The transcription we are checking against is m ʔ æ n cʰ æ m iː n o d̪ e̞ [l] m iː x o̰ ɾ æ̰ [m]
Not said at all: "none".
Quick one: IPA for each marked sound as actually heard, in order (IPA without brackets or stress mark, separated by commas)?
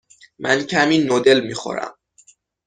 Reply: l, m